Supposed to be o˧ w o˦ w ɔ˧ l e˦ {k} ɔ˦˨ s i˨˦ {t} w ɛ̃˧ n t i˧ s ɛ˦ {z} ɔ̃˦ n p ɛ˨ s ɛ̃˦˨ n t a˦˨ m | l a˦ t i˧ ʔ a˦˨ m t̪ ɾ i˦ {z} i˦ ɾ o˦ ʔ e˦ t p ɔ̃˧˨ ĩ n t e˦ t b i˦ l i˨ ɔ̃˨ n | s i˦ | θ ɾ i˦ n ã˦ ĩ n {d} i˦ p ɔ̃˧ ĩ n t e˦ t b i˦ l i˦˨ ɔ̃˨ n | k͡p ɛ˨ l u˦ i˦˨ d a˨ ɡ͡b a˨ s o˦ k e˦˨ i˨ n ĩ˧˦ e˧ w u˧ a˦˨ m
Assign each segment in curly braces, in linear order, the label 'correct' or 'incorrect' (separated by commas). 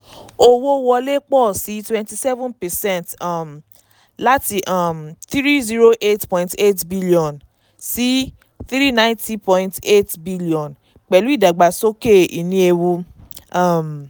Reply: incorrect, correct, incorrect, correct, incorrect